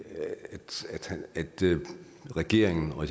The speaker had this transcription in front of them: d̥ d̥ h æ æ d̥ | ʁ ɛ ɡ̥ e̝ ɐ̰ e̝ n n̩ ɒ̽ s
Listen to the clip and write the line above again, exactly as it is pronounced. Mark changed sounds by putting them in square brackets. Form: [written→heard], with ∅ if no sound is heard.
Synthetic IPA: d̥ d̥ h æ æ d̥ | ʁ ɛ ɡ̥ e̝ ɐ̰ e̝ [n→ŋ] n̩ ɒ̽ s